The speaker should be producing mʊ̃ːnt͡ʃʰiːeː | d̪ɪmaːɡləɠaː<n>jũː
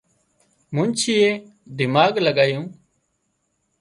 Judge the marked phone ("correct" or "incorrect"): incorrect